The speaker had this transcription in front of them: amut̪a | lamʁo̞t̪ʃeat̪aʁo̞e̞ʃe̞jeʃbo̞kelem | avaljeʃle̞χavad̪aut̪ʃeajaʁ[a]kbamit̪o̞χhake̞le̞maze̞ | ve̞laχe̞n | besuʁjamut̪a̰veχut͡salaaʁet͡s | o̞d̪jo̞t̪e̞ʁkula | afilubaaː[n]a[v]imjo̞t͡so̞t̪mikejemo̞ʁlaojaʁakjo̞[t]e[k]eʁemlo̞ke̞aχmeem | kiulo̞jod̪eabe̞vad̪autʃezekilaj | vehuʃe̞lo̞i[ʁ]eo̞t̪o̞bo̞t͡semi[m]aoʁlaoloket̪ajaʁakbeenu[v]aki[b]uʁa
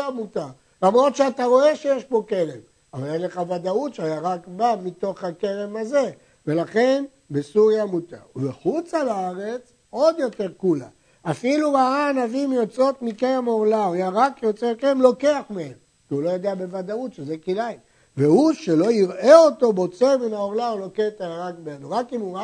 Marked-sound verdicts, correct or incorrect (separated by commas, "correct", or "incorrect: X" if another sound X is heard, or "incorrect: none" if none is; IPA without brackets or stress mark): correct, correct, correct, incorrect: t͡s, correct, correct, incorrect: n, incorrect: ʁ, incorrect: m